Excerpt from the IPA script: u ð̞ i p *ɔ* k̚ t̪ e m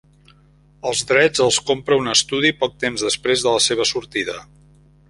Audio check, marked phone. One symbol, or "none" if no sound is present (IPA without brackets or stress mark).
ɔ